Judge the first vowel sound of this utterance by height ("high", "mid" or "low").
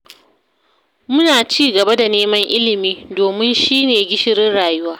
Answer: high